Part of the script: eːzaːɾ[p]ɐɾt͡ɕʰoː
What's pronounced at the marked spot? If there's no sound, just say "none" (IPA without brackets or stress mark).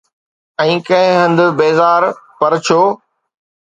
p